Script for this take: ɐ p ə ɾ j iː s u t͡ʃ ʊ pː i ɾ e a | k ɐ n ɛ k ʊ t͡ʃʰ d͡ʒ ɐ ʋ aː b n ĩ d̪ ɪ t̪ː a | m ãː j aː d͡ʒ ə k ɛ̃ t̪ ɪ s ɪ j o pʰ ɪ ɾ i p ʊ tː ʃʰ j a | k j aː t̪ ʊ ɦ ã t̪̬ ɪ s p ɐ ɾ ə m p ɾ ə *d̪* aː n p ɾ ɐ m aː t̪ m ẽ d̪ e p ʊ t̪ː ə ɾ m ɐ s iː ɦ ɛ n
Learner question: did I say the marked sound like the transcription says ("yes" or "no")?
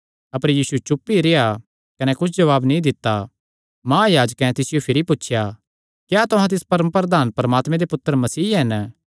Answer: yes